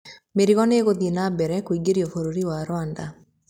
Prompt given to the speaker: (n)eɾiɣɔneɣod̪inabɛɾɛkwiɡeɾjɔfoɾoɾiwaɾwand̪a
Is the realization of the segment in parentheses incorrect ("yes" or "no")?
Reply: yes